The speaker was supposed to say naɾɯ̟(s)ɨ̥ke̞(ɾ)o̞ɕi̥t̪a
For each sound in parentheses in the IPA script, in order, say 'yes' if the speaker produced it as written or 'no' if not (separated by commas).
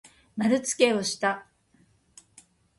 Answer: no, no